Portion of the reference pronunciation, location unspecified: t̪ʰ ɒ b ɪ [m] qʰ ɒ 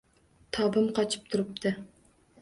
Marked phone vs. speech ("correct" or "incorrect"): correct